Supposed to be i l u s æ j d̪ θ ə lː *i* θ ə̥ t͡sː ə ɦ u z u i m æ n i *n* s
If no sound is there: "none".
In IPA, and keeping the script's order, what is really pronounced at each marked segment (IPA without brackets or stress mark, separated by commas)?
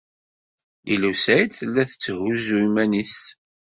æ, none